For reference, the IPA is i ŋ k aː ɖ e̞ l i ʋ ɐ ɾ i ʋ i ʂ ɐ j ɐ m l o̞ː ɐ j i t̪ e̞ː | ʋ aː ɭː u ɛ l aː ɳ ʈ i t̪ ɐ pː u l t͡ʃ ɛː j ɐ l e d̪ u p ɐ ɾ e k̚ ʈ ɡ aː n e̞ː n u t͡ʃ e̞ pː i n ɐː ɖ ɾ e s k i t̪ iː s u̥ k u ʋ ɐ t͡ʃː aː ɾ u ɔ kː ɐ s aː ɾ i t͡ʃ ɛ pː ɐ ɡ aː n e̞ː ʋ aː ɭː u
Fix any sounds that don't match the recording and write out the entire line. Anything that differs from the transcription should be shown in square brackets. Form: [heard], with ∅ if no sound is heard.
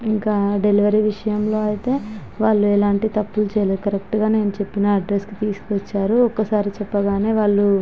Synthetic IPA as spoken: i ŋ k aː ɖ e̞ l i ʋ ɐ ɾ i ʋ i ʂ ɐ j ɐ m l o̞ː ɐ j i t̪ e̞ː | ʋ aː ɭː u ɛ l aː ɳ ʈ i t̪ ɐ pː u l t͡ʃ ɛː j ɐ l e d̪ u [k] ɐ ɾ e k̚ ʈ ɡ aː n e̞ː n u t͡ʃ e̞ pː i n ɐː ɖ ɾ e s k i t̪ iː s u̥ k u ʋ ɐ t͡ʃː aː ɾ u ɔ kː ɐ s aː ɾ i t͡ʃ ɛ pː ɐ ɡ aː n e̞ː ʋ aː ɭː u